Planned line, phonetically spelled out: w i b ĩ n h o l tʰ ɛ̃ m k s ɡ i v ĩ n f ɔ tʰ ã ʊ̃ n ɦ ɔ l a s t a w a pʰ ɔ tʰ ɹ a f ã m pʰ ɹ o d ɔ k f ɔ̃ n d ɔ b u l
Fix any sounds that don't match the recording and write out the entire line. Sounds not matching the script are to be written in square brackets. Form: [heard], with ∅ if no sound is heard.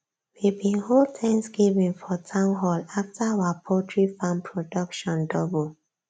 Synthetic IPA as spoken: w i b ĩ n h o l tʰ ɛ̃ [ŋ] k s ɡ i v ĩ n f ɔ tʰ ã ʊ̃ n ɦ ɔ l a [f] t a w a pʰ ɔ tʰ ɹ [i] f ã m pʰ ɹ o d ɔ k [ʃ] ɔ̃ n d ɔ b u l

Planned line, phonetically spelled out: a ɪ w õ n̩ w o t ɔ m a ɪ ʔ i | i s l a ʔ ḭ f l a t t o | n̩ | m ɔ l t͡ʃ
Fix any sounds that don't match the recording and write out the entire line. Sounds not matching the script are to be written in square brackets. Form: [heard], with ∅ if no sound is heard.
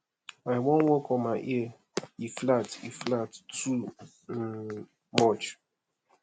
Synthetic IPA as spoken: a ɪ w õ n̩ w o [k] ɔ m a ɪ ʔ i | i [f] l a [t] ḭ f l a t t [u] | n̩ | m ɔ [∅] t͡ʃ

